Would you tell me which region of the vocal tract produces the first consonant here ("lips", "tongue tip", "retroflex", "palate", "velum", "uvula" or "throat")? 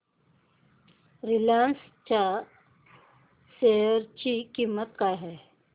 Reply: tongue tip